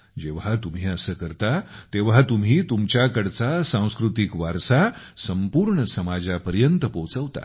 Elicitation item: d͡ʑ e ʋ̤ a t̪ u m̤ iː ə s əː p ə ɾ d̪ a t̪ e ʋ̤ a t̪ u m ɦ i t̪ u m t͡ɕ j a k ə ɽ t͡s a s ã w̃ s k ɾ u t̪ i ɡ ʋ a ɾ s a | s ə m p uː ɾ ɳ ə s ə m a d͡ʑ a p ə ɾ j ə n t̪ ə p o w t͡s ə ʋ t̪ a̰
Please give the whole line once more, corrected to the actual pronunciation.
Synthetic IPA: d͡ʑ e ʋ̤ a t̪ u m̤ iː ə s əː k ə ɾ t̪ a t̪ e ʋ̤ a t̪ u m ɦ iː t̪ u m t͡ɕ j a k ə ɽ t͡s a s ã w̃ s k ɾ u t̪ i k ʋ a ɾ s a | s ə m p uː ɾ ɳ ə s ə m a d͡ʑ a p ə ɾ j ə n t̪ ə p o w t͡s ə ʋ t̪ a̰